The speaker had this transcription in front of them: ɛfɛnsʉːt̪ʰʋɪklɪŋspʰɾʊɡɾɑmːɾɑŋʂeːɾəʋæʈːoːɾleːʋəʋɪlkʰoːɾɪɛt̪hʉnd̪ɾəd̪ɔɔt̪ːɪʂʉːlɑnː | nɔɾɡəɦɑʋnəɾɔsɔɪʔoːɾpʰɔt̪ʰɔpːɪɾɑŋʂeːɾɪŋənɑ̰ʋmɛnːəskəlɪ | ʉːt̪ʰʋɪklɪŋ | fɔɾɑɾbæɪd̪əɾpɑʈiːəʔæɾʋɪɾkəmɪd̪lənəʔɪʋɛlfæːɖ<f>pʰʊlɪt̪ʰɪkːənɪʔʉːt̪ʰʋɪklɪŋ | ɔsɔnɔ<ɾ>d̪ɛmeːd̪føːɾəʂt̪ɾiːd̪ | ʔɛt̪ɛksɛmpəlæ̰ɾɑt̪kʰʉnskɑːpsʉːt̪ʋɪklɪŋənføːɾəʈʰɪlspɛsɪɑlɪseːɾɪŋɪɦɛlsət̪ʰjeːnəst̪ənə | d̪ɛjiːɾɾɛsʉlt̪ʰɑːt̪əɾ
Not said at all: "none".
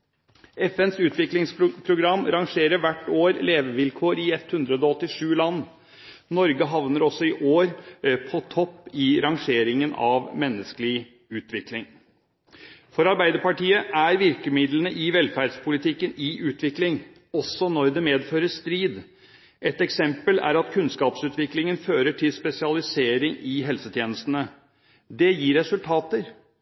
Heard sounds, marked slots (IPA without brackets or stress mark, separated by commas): s, ɾ